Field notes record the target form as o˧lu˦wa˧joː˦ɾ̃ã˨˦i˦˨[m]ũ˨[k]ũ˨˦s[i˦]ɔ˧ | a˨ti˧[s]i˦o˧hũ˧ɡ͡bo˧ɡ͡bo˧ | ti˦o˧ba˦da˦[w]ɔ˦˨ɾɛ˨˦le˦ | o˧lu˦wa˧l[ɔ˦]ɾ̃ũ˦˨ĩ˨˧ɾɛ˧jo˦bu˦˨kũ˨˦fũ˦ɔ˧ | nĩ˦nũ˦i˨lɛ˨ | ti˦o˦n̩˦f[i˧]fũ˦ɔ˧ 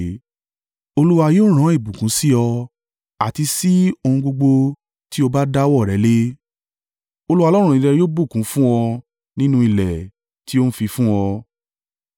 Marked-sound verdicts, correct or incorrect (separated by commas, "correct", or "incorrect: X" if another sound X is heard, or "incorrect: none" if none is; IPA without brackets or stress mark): incorrect: b, correct, correct, correct, correct, correct, correct